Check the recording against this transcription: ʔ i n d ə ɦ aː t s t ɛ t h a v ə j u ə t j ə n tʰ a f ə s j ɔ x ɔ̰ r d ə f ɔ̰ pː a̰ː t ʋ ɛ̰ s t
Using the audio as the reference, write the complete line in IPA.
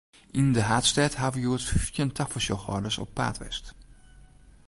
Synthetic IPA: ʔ i n d ə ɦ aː t s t ɛ t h a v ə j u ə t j ə n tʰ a f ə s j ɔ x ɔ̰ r d ə s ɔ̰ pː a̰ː t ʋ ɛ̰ s t